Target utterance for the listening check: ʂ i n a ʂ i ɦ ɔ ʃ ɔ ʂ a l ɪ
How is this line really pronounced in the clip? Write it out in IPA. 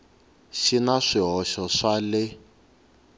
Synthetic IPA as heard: ʃ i n a ʂ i ɦ ɔ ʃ ɔ ʂ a l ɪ